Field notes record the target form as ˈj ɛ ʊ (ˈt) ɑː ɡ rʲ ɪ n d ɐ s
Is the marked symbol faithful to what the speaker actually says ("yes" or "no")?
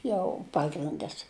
no